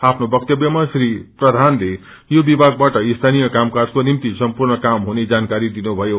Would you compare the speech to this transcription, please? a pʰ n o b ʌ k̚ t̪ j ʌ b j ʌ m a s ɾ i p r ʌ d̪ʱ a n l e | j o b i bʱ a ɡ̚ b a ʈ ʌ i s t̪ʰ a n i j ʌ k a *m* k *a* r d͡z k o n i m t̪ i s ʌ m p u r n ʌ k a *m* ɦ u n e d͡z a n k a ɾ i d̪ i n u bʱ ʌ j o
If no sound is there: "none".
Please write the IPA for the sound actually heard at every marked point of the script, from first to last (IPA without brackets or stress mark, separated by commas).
m, a, m